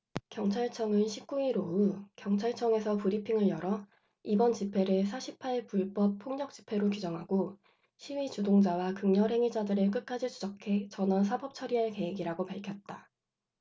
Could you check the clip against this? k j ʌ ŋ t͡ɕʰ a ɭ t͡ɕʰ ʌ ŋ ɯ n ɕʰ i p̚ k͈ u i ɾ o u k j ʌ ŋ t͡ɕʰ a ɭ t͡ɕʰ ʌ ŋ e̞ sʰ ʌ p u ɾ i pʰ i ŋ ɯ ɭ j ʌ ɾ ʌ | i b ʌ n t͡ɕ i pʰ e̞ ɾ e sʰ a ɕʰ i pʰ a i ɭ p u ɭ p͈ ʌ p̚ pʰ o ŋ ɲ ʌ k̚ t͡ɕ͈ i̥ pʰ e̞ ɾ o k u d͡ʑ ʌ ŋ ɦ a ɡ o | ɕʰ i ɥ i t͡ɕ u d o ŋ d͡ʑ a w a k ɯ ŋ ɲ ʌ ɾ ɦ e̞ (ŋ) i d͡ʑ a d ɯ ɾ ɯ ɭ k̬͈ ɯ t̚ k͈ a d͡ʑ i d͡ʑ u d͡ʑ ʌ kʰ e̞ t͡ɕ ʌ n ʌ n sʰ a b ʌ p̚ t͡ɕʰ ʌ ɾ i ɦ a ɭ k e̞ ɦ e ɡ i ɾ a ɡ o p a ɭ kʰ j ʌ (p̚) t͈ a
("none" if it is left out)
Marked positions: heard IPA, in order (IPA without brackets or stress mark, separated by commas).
ŋ, t̚